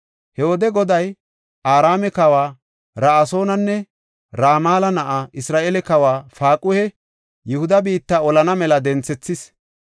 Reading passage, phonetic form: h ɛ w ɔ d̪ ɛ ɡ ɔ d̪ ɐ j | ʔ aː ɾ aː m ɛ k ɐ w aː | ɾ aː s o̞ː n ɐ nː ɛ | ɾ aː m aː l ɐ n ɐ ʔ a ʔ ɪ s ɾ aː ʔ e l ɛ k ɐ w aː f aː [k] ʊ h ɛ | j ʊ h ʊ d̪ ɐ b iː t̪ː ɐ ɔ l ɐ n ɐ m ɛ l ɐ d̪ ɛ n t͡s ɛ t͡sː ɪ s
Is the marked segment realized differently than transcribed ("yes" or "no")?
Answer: yes